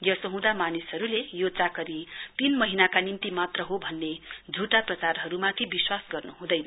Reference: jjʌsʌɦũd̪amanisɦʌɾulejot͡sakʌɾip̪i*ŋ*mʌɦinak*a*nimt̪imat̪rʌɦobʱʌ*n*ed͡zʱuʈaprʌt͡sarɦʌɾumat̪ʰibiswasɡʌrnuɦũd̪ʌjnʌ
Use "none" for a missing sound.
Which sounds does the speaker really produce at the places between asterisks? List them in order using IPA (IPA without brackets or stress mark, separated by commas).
n, a, nː